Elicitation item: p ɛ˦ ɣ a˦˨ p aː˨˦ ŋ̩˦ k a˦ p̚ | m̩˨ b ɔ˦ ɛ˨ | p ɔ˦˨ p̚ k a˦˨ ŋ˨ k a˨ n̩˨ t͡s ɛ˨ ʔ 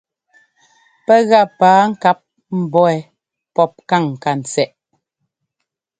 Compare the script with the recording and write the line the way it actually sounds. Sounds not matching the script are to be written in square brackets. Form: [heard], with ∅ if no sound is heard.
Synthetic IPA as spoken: p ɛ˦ ɣ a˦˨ p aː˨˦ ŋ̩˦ k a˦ p̚ | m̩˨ b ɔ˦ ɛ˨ | p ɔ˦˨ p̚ k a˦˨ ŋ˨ k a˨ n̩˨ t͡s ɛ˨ ʔ